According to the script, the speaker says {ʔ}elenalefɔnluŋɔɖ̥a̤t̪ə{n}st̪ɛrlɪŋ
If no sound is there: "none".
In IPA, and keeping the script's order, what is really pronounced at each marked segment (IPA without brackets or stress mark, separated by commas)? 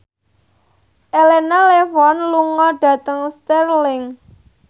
ʔ, ŋ